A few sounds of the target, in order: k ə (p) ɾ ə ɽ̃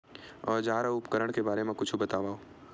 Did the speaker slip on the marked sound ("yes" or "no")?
yes